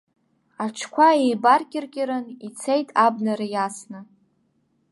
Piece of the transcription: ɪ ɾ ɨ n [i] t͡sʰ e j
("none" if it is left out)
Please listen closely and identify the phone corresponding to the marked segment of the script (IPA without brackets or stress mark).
i